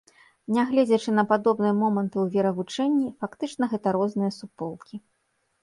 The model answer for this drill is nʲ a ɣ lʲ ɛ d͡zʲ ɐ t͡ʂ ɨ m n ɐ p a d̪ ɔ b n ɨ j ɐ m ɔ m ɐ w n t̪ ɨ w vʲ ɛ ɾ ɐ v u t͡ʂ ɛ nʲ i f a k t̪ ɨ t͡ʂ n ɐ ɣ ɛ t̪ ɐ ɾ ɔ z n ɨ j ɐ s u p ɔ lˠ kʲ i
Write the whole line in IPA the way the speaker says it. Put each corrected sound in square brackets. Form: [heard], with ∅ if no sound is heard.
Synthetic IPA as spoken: nʲ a ɣ lʲ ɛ d͡zʲ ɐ t͡ʂ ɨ [∅] n ɐ p a d̪ ɔ b n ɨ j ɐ m ɔ m ɐ [∅] n t̪ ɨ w vʲ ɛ ɾ ɐ v u t͡ʂ ɛ [nʲː] i f a k t̪ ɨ t͡ʂ n ɐ ɣ ɛ t̪ ɐ ɾ ɔ z n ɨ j ɐ s u p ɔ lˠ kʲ i